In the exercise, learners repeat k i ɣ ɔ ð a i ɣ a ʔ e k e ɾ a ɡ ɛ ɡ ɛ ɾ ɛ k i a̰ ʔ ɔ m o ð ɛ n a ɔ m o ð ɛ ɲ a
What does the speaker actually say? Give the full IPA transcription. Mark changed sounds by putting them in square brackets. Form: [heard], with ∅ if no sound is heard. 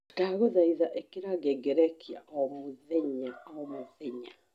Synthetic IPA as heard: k [a] ɣ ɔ ð a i [ð] a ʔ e k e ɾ a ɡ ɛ ɡ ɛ ɾ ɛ k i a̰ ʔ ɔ m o ð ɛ [ɲ] a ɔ m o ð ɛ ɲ a